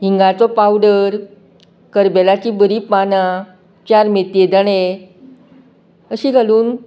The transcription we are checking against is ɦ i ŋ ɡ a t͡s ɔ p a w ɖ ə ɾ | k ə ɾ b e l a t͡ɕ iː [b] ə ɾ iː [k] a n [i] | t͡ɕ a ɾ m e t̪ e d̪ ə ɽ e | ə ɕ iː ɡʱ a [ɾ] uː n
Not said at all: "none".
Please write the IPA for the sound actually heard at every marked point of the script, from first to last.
b, p, a, l

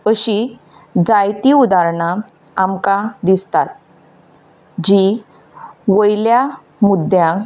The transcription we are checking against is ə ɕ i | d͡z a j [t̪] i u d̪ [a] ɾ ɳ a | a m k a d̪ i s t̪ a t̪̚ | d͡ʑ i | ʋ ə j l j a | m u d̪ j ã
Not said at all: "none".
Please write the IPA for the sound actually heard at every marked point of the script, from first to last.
t̪, a

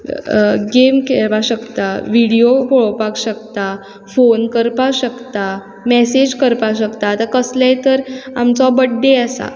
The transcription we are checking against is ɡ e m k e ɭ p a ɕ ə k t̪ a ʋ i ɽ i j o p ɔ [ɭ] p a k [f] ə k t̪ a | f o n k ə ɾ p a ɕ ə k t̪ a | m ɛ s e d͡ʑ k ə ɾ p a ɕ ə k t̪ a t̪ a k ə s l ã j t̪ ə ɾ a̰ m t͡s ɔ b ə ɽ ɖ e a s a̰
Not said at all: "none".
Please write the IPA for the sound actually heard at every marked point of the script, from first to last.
ɭ, ɕ

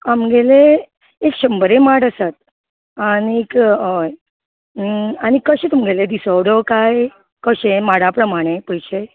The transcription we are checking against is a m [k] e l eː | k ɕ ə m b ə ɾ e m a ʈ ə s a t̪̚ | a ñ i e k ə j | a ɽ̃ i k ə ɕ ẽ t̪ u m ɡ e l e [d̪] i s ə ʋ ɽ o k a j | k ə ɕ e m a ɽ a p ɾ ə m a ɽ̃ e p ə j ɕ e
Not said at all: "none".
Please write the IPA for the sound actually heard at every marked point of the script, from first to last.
ɡ, d̪

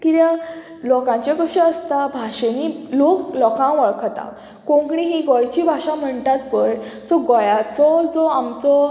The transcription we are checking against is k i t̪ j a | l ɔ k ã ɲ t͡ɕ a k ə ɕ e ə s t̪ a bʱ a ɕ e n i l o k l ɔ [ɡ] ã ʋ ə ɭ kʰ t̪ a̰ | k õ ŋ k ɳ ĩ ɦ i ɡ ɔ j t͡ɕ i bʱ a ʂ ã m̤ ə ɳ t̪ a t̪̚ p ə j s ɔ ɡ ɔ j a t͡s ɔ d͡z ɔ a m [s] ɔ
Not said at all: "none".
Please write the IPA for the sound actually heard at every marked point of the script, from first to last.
k, t͡s

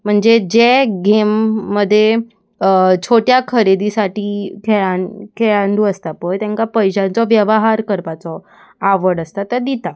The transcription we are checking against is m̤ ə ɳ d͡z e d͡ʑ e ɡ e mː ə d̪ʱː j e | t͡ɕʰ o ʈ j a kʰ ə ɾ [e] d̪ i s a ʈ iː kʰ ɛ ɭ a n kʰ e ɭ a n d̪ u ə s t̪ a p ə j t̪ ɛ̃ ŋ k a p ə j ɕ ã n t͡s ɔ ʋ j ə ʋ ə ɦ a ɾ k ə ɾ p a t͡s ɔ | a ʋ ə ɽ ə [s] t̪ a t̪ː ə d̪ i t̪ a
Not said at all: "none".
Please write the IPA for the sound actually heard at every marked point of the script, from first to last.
e, s

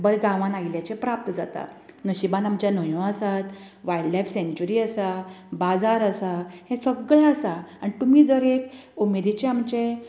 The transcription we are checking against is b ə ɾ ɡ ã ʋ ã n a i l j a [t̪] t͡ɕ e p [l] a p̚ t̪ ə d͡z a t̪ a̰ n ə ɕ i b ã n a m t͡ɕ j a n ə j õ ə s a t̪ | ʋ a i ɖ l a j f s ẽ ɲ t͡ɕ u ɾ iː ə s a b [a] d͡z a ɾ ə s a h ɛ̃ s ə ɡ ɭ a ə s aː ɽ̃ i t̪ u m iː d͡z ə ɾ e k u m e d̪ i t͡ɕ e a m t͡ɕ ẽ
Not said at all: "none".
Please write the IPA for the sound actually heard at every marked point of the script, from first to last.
none, ɾ, a

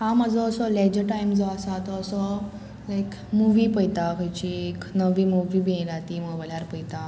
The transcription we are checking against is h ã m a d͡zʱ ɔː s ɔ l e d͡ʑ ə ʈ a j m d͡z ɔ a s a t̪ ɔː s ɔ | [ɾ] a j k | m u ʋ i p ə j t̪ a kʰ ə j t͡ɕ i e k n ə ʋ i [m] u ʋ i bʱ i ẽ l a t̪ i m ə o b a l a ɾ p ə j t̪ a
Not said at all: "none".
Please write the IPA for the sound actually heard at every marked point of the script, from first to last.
l, m

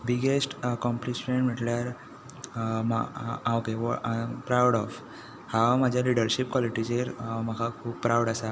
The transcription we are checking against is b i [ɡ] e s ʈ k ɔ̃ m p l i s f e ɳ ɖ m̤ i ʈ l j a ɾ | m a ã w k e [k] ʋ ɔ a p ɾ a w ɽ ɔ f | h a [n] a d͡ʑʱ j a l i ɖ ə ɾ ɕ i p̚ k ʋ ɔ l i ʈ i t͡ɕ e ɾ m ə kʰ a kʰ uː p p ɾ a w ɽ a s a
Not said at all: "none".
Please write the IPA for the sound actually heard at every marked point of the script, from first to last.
ɡ, none, m

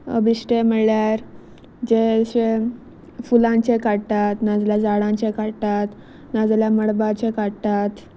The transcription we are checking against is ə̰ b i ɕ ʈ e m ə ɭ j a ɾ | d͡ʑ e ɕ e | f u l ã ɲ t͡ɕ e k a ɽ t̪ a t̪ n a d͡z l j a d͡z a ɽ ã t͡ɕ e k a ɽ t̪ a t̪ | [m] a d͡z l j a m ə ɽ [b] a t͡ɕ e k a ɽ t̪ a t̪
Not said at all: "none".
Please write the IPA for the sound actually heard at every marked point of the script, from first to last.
n, b

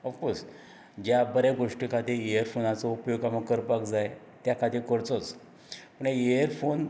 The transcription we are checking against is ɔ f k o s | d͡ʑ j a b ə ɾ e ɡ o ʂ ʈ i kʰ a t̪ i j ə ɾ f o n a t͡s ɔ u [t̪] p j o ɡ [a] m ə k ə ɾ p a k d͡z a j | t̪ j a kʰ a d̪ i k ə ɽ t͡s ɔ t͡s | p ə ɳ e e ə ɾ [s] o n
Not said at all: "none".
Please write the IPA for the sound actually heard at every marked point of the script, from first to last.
none, a, f

